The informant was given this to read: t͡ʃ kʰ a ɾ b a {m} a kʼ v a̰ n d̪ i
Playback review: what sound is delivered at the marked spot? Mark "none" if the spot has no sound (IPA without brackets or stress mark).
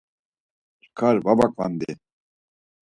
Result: b